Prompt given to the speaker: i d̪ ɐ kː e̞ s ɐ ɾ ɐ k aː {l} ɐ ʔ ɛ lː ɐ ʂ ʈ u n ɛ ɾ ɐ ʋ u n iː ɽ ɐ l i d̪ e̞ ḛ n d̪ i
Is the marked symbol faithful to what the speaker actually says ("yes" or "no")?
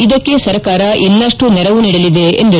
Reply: no